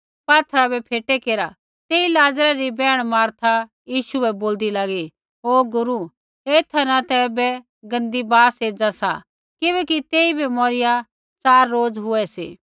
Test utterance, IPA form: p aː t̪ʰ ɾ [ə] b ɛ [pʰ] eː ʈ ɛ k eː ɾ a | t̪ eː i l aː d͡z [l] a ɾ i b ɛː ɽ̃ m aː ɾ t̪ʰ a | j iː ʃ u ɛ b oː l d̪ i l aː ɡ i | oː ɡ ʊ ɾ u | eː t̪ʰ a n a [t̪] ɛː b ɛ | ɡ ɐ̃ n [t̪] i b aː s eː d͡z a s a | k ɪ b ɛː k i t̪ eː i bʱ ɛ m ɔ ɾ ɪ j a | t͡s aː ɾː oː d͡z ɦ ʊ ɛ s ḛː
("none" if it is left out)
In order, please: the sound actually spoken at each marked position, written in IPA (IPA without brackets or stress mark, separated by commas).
a, pʰ, ɾ, t̪, d̪